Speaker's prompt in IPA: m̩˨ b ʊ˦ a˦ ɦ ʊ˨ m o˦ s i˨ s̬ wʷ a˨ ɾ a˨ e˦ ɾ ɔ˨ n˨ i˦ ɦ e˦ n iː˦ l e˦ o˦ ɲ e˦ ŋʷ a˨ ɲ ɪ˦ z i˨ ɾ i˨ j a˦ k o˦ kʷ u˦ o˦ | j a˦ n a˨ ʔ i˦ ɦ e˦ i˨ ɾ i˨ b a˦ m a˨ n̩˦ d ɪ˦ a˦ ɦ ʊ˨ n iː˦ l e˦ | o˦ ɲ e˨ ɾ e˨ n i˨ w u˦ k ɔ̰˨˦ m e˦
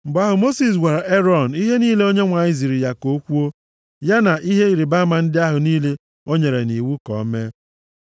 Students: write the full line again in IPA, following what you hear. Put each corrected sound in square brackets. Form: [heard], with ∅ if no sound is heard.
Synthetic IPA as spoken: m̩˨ b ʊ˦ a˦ ɦ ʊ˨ m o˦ s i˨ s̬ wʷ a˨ ɾ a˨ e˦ ɾ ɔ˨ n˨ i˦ ɦ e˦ n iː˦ l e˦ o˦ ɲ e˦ ŋʷ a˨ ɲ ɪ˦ z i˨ ɾ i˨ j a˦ k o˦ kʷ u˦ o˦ | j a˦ n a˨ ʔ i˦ ɦ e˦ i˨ ɾ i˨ b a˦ m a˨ n̩˦ d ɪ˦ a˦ ɦ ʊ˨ n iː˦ l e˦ | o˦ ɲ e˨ ɾ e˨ n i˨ w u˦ k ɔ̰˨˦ m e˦